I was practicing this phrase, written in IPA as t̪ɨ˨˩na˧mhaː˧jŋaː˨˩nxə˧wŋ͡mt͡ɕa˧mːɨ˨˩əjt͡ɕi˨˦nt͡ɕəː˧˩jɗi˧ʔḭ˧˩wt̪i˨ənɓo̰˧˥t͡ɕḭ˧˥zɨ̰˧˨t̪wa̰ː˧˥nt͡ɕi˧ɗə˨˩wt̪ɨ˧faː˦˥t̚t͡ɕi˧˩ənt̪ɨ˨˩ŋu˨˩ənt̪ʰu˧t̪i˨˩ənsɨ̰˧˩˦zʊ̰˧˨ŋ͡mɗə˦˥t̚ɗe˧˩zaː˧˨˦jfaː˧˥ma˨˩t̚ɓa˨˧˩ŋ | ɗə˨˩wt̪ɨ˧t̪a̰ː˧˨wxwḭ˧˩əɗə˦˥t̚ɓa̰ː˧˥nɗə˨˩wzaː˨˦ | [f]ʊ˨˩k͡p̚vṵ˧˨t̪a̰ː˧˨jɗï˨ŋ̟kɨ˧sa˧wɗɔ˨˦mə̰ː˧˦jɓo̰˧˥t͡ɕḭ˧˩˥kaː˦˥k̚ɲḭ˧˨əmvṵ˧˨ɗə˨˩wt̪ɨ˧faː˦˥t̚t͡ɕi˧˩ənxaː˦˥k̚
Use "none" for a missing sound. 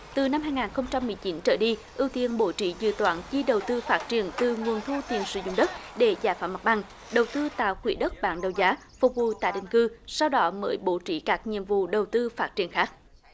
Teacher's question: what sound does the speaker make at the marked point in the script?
f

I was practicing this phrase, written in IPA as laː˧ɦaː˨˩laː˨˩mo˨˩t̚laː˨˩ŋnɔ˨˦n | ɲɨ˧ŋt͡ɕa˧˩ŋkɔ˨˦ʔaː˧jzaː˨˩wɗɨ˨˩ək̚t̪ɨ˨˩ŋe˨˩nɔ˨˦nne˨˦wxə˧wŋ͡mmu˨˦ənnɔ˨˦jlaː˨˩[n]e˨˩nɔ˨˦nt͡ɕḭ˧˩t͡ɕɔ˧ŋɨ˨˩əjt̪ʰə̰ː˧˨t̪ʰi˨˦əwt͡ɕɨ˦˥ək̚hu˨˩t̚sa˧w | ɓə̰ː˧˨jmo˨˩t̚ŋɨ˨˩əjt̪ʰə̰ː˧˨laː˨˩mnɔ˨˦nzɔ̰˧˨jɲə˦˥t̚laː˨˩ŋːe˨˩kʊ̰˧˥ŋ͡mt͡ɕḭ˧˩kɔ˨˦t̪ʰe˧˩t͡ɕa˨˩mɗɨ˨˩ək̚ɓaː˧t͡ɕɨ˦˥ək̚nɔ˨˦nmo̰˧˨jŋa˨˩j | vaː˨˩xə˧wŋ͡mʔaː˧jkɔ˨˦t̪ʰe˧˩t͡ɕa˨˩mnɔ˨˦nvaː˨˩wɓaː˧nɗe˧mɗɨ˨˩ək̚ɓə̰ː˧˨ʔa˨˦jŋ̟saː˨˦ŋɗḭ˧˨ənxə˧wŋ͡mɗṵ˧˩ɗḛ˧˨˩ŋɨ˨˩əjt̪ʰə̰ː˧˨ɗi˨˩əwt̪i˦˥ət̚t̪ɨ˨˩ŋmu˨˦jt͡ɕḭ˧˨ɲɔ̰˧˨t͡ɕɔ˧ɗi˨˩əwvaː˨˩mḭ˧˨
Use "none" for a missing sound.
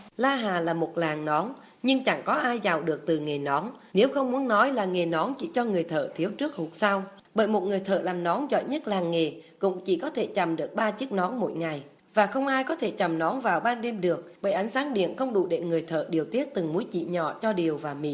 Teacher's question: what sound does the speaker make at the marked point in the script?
ŋ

